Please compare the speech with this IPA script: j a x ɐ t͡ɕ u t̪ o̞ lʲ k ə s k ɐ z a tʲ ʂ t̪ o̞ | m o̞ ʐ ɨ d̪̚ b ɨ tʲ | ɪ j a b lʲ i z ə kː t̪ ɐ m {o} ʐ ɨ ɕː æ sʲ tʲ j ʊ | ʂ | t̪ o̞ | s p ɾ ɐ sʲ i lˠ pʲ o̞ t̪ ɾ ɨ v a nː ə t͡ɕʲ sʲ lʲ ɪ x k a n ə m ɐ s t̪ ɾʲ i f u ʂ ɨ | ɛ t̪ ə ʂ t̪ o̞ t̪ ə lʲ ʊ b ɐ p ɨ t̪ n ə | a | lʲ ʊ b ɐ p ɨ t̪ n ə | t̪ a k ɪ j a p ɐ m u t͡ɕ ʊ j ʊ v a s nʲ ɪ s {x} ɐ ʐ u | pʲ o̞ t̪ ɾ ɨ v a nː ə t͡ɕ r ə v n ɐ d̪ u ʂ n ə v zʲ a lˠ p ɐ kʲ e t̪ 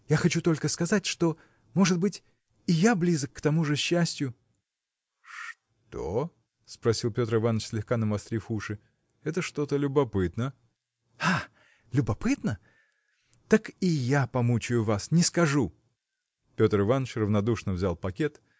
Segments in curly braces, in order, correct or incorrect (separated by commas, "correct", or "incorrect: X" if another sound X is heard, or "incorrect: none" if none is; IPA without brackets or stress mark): incorrect: u, incorrect: k